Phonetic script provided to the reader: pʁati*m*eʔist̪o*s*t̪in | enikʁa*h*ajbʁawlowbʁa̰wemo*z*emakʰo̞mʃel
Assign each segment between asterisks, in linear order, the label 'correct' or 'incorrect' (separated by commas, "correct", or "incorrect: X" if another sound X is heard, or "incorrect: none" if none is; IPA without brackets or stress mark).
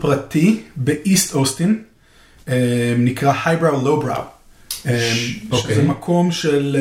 incorrect: b, correct, correct, correct